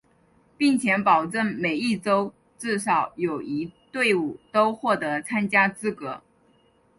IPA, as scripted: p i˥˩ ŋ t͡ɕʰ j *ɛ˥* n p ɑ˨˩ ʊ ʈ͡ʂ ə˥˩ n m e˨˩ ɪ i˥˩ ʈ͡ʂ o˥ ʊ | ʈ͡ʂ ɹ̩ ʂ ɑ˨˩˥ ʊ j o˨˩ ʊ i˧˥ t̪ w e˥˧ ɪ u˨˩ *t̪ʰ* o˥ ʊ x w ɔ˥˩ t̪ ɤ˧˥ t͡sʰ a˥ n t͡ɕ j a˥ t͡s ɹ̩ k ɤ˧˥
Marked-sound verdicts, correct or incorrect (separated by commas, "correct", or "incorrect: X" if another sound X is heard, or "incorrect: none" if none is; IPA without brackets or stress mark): incorrect: ɛ˧˥, incorrect: t̪